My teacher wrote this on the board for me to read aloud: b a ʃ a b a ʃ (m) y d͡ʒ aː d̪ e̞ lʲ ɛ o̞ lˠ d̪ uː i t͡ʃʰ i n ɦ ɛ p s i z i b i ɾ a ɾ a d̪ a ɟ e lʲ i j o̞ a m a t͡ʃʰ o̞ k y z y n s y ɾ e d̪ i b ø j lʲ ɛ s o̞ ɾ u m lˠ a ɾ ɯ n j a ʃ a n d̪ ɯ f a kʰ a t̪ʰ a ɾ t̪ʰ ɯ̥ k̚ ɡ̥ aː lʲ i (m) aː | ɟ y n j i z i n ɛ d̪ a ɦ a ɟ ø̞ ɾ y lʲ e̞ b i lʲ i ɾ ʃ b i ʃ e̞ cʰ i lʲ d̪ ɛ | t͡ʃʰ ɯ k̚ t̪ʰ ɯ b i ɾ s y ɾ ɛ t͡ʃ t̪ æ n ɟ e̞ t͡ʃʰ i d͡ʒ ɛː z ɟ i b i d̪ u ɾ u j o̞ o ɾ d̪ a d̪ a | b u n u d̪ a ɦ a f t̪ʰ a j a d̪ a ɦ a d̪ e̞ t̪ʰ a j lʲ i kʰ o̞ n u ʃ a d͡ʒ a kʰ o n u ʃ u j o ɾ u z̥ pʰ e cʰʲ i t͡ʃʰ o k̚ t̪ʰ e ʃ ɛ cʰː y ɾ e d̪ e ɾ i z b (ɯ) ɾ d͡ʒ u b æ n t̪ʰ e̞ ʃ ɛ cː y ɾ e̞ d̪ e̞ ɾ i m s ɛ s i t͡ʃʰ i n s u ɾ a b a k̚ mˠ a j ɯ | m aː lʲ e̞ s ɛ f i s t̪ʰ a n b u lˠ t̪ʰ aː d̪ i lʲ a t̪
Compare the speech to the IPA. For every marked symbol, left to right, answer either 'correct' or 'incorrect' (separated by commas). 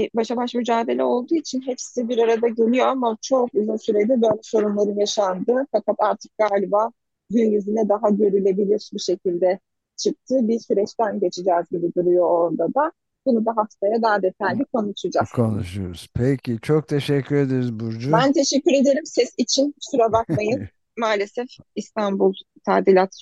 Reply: correct, incorrect, incorrect